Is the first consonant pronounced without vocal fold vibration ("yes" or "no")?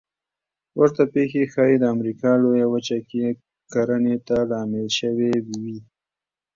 no